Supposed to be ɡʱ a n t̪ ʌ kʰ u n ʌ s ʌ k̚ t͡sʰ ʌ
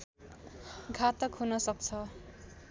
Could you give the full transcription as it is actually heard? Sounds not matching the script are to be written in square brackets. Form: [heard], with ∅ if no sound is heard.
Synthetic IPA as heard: ɡʱ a [∅] t̪ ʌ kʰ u n ʌ s ʌ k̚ t͡sʰ ʌ

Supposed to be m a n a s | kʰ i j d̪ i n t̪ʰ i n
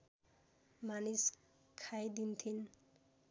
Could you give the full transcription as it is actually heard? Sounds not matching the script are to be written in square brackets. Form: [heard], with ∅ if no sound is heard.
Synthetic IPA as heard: m a n [i] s | kʰ [a] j d̪ i n t̪ʰ i n

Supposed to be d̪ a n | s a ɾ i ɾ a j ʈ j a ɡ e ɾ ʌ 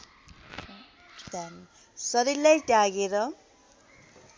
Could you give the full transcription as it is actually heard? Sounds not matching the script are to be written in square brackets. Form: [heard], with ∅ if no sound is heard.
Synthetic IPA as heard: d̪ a n | s [ʌ] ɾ i [l] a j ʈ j a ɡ e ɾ ʌ

